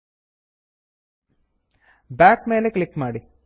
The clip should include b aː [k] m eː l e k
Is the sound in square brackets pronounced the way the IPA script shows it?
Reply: yes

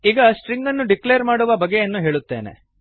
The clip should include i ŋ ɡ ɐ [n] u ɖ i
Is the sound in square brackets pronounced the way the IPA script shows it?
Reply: no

